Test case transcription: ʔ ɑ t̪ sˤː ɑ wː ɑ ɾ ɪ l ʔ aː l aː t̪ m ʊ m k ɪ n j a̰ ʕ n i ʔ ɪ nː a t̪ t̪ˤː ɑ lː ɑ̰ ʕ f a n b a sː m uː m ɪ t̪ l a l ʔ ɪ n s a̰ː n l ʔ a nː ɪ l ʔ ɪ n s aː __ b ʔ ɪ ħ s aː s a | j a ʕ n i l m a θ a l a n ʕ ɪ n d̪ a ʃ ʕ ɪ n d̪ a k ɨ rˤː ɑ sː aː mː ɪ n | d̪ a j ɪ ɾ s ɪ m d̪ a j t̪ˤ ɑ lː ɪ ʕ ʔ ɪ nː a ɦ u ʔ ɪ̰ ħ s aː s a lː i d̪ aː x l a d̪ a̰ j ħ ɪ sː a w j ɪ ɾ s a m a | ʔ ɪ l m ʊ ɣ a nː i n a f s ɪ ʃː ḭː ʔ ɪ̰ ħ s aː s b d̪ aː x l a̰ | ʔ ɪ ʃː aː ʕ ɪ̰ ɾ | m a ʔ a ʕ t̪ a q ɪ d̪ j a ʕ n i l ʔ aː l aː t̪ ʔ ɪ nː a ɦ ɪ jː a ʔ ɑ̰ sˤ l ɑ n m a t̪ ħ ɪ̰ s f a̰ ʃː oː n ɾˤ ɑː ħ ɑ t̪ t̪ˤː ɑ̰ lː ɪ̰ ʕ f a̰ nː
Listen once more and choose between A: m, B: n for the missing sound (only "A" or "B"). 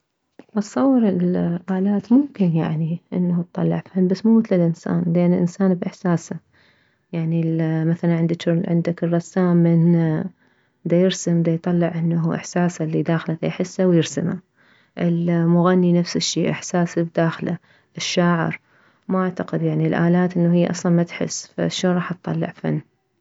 B